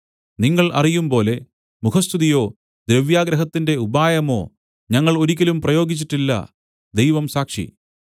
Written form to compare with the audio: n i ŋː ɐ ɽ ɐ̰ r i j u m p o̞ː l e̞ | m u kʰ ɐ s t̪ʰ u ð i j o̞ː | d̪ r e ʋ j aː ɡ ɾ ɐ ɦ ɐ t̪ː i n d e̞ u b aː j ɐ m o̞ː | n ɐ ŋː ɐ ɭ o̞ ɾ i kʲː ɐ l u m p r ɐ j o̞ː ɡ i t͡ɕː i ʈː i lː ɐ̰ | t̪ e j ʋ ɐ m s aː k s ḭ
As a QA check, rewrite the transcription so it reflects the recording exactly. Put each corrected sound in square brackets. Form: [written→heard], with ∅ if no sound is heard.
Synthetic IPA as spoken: n i ŋː ɐ [ɽ→ɭ] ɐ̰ r i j u m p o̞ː l e̞ | m u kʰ ɐ s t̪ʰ u ð i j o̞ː | d̪ [r→ɾ] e ʋ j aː ɡ ɾ ɐ ɦ ɐ t̪ː i n d e̞ u b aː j ɐ m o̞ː | [n→ɲ] ɐ ŋː ɐ ɭ o̞ ɾ i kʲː ɐ l u m p r ɐ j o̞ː ɡ i t͡ɕː i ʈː i lː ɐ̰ | [t̪→d̪] e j ʋ ɐ m s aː k [s→ʂ] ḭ